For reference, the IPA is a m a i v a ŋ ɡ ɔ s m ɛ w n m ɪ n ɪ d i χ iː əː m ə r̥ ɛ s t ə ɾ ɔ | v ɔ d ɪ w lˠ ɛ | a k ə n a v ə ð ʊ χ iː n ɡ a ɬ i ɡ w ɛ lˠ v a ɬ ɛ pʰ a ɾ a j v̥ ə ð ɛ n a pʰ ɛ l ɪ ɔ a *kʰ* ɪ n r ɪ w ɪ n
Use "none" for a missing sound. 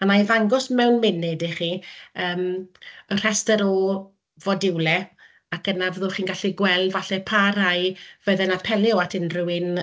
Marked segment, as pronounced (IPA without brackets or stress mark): tʰ